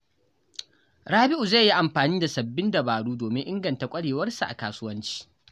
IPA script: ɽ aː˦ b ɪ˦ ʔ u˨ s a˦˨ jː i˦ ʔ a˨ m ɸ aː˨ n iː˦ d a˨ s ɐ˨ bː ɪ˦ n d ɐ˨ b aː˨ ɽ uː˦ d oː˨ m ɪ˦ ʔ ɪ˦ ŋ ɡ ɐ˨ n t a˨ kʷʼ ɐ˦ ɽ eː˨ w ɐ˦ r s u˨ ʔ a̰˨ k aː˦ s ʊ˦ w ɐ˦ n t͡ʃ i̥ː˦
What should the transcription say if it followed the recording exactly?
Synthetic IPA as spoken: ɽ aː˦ b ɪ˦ ʔ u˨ z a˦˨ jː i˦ ʔ a˨ m ɸ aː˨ n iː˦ d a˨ s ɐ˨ bː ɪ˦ n d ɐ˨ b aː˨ ɽ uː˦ d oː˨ m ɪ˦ ʔ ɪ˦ ŋ ɡ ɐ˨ n t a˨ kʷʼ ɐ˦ ɽ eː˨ w ɐ˦ r s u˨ ʔ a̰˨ k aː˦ s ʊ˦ w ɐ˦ n t͡ʃ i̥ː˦